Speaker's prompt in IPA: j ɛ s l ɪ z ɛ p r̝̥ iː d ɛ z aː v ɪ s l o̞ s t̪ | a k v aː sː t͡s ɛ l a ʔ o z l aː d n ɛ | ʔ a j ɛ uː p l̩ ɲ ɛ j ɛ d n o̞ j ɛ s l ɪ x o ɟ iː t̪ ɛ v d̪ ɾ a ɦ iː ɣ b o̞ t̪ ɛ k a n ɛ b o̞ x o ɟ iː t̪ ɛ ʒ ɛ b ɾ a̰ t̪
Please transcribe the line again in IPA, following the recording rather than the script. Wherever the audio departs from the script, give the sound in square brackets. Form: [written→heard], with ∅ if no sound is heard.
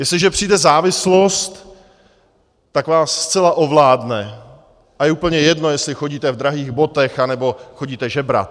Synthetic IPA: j ɛ s l ɪ [z→ʒ] ɛ p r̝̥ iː d ɛ z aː v ɪ s l o̞ s t̪ | a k v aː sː t͡s ɛ l a ʔ o [z→v] l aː d n ɛ | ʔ a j ɛ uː p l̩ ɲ ɛ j ɛ d n o̞ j ɛ s l ɪ x o ɟ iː t̪ ɛ v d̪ ɾ a ɦ iː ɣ b o̞ t̪ ɛ [k→x] a n ɛ b o̞ x o ɟ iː t̪ ɛ ʒ ɛ b ɾ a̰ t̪